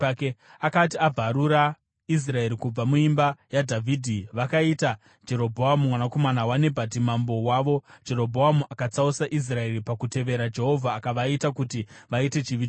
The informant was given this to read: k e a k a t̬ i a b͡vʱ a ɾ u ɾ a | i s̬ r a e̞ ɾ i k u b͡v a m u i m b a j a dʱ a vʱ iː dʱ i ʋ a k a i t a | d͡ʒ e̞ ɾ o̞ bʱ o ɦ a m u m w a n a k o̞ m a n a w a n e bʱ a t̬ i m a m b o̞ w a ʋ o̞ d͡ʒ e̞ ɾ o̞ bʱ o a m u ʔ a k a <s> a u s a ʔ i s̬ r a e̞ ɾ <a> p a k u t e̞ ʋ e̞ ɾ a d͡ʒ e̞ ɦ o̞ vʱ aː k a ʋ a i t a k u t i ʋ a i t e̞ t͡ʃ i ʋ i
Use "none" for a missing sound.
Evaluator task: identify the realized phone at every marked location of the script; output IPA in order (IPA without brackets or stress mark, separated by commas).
t͡s, i